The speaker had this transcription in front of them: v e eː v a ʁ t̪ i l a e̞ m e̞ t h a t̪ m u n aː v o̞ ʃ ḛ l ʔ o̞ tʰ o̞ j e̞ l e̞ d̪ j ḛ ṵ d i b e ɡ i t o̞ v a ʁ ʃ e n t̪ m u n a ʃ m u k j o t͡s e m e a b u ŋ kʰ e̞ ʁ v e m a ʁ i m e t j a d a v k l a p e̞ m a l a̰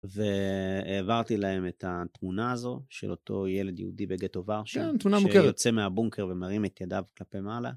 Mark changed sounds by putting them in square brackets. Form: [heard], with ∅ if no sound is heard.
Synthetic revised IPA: v e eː v a ʁ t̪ i l a e̞ m e̞ t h a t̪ m u n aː [z] o̞ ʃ ḛ l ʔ o̞ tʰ o̞ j e̞ l e̞ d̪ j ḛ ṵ d i b e ɡ [e] t o̞ v a ʁ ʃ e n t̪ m u n a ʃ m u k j o t͡s e m e a b u ŋ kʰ e̞ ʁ v e m a ʁ i m e t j a d a v k l a p e̞ m a l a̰

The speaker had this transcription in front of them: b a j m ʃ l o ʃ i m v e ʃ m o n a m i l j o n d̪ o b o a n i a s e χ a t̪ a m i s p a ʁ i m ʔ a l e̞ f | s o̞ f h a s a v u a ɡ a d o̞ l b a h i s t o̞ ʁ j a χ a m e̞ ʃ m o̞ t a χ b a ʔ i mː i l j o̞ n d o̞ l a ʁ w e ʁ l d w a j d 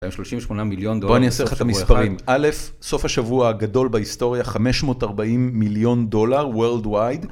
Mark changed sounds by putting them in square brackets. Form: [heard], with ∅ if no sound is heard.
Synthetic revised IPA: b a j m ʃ l o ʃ i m v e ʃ m o n a m i l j o n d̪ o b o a n i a s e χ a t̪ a m i s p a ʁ i m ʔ a l e̞ f | s o̞ f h a [ʃ] a v u a ɡ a d o̞ l b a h i s t o̞ ʁ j a χ a m e̞ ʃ m o̞ t a [ʁ] b a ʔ i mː i l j o̞ n d o̞ l a ʁ w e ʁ l d w a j d

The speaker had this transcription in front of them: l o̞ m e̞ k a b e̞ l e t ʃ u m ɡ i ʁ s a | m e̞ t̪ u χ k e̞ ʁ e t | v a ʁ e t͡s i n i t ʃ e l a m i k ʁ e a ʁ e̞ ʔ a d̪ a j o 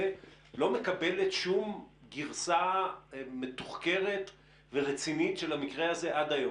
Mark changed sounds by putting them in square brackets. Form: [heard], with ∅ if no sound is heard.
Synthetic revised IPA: l o̞ m e̞ k a b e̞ l e t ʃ u m ɡ i ʁ s a | m e̞ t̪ u χ k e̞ ʁ e t | v [e] ʁ e t͡s i n i t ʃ e l a m i k ʁ e a [z] e̞ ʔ a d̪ a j o

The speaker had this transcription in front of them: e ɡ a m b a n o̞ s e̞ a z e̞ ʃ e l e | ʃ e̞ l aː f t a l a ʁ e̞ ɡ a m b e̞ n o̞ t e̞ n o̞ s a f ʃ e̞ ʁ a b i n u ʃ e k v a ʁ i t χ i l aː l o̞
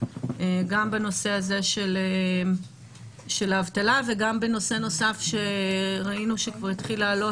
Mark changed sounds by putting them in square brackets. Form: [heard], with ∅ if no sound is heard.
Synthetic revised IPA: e ɡ a m b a n o̞ s e̞ a z e̞ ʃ e l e | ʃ e̞ l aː [v] t a l a [v] e̞ ɡ a m b e̞ n o̞ [s] e̞ n o̞ s a f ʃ e̞ ʁ a [∅] i n u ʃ e k v a ʁ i t χ i l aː l o̞

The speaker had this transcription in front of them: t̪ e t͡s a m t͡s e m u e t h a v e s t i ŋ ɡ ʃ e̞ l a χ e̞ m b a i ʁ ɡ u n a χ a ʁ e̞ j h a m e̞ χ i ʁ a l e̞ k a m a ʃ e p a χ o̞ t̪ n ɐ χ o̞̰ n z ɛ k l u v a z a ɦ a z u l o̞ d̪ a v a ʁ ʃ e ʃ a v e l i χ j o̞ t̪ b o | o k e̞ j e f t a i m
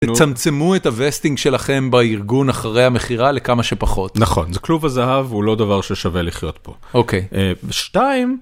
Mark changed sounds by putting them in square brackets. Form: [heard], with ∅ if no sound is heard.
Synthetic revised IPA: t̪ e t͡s a m t͡s e m u e t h a v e s t i ŋ ɡ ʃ e̞ l a χ e̞ m b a i ʁ ɡ u n a χ a ʁ e̞ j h a m e̞ χ i ʁ a l e̞ k a m a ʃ e p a χ o̞ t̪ n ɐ χ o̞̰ n z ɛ k l u v a z a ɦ a [v] u l o̞ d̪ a v a ʁ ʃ e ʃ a v e l i χ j o̞ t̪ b o | o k e̞ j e [ʃ] t a i m

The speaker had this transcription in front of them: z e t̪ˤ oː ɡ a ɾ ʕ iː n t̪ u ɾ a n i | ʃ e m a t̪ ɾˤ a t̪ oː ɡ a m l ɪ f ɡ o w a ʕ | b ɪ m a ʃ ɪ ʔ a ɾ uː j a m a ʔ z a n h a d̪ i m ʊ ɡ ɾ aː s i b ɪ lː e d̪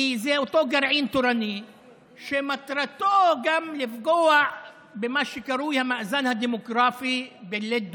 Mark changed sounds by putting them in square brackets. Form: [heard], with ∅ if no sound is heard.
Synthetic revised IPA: z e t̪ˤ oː ɡ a ɾ ʕ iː n t̪ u ɾ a n i | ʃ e m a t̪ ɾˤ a t̪ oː ɡ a m l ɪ f ɡ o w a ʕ | b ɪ m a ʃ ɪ [k] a ɾ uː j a m a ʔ z a n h a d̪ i m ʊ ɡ ɾ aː [f] i b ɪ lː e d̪

